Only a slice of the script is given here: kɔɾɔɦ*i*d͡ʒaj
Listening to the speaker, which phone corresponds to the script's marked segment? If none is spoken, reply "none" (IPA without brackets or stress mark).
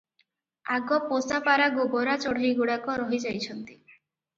i